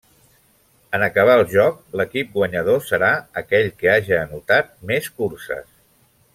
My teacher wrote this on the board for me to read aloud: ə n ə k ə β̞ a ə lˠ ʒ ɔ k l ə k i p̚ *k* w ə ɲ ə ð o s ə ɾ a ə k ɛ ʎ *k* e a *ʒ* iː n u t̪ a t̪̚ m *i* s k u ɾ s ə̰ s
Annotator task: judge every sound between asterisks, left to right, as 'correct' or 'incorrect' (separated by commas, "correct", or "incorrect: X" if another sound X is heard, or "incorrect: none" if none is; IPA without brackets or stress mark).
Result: incorrect: ɡ, correct, correct, incorrect: e